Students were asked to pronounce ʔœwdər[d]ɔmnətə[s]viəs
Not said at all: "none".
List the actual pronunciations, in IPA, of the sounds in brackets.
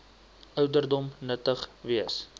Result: d, χ

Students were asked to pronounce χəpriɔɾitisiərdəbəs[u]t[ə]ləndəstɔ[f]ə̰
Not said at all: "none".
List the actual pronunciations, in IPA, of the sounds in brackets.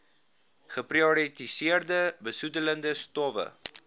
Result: u, ə, v

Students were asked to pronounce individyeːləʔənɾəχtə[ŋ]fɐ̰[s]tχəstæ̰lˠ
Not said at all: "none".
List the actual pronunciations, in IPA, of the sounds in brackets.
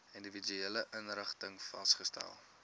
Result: ŋ, s

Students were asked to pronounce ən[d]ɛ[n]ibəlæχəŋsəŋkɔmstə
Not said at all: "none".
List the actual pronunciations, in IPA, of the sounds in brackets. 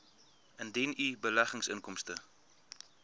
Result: d, n

